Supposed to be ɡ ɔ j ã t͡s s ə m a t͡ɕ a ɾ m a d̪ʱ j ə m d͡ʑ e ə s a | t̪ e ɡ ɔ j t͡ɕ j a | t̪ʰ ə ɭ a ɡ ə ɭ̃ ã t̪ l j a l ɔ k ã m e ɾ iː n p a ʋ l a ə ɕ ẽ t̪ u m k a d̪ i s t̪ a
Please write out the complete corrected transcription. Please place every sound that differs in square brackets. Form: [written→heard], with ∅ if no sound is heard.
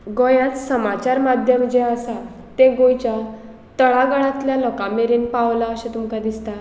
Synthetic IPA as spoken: ɡ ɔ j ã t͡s s ə m a t͡ɕ a ɾ m a d̪ʱ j ə m d͡ʑ e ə s a | t̪ e ɡ [ɔ→o] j t͡ɕ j a | [t̪ʰ→t̪] ə ɭ a ɡ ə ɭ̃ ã t̪ l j a l ɔ k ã m e ɾ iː n p a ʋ l a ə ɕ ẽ t̪ u m k a d̪ i s t̪ a